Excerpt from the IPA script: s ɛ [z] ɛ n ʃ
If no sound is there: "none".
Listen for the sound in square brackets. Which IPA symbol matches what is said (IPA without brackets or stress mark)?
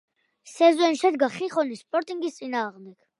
z